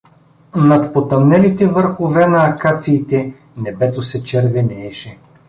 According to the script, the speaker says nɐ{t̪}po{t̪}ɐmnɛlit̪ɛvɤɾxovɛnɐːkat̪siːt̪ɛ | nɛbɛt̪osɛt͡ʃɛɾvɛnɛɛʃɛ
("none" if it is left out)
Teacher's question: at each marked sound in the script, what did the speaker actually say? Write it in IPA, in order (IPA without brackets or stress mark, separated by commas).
t̪, t̪